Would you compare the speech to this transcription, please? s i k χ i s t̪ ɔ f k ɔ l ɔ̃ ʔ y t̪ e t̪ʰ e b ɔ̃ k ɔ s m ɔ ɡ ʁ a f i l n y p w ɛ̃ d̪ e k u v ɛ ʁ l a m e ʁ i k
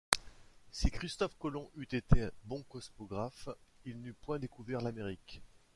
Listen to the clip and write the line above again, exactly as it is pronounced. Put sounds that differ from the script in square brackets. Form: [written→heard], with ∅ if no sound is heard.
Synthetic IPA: s i k χ i s t̪ ɔ f k ɔ l ɔ̃ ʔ y t̪ e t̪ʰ e b ɔ̃ k ɔ s m ɔ ɡ ʁ a f i l n y p w ɛ̃ d̪ e k u v ɛ ʁ l a m e ʁ i k